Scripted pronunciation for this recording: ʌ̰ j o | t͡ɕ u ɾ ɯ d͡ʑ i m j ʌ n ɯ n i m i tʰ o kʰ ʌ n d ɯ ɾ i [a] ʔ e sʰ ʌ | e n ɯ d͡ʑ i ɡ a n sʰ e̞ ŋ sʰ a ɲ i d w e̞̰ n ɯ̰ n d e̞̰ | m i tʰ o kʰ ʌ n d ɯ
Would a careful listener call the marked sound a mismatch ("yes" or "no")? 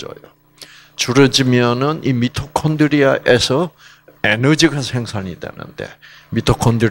no